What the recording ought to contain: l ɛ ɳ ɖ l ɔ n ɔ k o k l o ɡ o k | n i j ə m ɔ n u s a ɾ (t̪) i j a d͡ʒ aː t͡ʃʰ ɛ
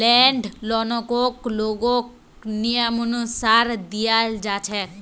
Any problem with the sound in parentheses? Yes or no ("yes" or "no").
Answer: yes